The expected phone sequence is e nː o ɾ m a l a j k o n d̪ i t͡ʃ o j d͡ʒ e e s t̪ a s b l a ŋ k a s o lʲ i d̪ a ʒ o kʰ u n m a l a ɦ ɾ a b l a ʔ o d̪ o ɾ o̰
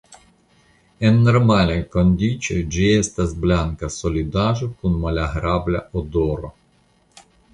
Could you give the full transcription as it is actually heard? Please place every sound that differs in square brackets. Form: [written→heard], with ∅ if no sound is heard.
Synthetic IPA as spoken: e nː o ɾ m a l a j k o n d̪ i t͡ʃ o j d͡ʒ [e→i] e s t̪ a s b l a ŋ k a s o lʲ i d̪ a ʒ o [kʰ→k] u n m a l a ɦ ɾ a b l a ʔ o d̪ o ɾ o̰